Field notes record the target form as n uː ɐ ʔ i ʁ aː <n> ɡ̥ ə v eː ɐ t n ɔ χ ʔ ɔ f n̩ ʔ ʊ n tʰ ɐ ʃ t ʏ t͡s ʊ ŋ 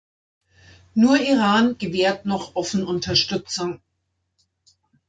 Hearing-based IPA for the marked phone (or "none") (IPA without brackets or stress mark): n